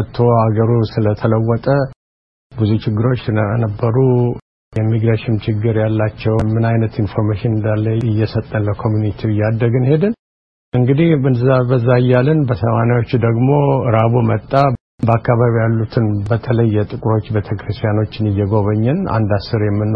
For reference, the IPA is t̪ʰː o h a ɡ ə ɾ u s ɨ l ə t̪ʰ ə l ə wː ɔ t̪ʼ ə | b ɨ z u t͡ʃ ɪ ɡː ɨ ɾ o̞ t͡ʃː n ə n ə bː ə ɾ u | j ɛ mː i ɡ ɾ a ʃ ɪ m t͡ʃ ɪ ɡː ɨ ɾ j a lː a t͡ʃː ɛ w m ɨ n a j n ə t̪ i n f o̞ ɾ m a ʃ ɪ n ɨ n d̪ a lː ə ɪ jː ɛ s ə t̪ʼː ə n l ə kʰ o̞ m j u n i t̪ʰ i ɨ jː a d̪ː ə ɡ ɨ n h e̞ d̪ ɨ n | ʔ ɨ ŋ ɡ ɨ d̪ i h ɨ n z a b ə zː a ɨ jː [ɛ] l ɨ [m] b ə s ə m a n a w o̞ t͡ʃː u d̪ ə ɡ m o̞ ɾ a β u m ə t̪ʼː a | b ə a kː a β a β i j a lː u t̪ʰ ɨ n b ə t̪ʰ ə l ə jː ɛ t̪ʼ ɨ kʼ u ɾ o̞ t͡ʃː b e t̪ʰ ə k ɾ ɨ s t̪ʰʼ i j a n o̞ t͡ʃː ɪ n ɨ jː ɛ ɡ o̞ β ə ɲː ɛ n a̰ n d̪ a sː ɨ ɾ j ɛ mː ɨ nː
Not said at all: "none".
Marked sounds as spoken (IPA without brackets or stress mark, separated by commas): a, n